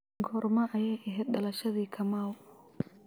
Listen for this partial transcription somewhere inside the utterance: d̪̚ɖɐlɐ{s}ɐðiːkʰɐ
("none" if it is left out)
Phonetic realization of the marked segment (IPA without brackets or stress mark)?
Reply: ʃ